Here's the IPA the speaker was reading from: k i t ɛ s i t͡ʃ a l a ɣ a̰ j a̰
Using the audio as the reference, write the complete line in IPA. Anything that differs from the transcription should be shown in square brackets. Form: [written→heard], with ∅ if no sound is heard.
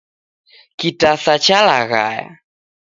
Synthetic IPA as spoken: k i t [ɛ→a] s [i→a] t͡ʃ a l a ɣ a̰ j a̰

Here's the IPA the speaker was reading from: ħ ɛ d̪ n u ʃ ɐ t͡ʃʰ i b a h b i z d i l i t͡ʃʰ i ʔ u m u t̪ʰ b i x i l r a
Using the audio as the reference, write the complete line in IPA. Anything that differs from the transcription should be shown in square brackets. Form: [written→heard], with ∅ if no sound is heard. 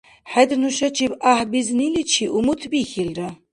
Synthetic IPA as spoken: ħ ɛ d̪ n u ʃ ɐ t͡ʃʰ i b a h b i z [d→n] i l i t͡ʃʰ i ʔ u m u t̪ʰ b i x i l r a

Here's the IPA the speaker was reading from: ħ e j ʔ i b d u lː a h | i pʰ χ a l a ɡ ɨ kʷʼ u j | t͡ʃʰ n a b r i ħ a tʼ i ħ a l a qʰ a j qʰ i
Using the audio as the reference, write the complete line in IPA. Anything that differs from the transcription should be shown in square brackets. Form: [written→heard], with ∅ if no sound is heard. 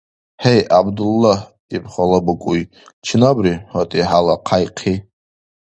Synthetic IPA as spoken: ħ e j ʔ [i→a] b d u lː a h | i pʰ χ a l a [ɡ→b] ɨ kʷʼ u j | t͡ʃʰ n a b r i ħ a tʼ i ħ a l a qʰ a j qʰ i

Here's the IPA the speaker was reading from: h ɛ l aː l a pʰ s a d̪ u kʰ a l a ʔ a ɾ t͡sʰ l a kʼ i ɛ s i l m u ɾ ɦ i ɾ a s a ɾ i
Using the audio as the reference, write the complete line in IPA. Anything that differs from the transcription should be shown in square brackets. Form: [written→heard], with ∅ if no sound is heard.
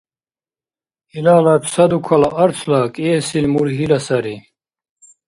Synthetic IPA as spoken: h [ɛ→i] l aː l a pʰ s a d̪ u kʰ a l a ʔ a ɾ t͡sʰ l a kʼ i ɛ s i l m u ɾ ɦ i [ɾ→l] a s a ɾ i

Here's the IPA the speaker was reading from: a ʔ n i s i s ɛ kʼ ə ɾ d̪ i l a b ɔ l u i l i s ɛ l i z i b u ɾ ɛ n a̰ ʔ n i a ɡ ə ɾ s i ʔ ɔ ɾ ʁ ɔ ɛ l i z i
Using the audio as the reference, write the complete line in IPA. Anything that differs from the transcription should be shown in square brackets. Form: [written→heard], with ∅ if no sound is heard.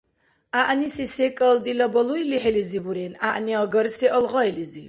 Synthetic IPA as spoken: a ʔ n i s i s ɛ kʼ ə [ɾ→l] d̪ i l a b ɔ l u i l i [s→ħ] ɛ l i z i b u ɾ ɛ n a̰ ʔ n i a ɡ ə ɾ s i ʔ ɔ [ɾ→l] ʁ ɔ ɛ l i z i

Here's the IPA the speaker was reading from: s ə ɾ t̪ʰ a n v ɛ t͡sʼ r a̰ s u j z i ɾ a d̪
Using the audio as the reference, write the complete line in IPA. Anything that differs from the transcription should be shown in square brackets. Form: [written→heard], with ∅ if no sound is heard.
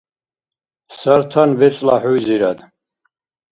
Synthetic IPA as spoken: s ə ɾ t̪ʰ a n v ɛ t͡sʼ [r→l] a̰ [s→ħ] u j z i ɾ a d̪

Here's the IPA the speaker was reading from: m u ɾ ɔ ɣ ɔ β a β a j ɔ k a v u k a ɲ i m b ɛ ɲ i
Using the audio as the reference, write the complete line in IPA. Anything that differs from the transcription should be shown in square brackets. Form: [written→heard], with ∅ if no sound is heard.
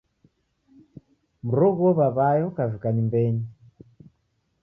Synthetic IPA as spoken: m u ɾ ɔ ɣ ɔ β a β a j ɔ k a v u k a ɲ i m b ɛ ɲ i

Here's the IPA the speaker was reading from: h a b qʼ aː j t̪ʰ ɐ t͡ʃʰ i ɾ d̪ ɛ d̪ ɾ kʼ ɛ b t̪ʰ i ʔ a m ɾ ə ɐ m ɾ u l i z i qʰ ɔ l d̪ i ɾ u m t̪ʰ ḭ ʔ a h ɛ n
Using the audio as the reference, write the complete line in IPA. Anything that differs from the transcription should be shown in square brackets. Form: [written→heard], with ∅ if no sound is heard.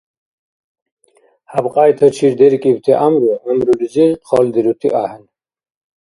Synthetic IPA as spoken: h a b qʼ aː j t̪ʰ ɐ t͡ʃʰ i ɾ d̪ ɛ [d̪→∅] ɾ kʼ [ɛ→i] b t̪ʰ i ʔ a m ɾ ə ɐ m ɾ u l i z i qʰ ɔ l d̪ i ɾ u [m→∅] t̪ʰ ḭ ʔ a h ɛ n

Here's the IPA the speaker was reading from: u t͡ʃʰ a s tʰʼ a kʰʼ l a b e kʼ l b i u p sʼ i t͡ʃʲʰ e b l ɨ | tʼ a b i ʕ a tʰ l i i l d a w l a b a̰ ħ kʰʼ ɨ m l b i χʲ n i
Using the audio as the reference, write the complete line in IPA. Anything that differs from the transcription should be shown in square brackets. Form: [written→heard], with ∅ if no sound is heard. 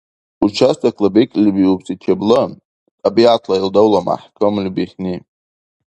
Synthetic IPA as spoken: u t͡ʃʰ a s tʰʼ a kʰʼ l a b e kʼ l b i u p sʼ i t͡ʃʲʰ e b l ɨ | tʼ a b i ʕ a tʰ l [i→a] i l d a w l a [b→m] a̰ ħ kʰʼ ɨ m l b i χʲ n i

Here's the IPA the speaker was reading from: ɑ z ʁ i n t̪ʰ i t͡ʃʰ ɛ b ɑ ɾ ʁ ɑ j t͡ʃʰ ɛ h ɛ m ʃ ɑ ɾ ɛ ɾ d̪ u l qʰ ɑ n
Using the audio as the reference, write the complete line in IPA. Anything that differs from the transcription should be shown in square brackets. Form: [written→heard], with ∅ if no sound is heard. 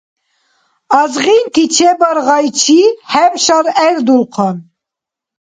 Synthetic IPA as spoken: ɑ z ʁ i n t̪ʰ i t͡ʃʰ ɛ b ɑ ɾ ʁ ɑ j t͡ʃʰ [ɛ→i] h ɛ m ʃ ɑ ɾ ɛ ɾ d̪ u l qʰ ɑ n

